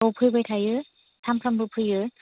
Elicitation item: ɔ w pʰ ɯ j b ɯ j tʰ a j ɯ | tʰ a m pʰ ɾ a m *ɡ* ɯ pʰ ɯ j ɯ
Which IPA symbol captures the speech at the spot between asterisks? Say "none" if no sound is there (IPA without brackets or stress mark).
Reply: b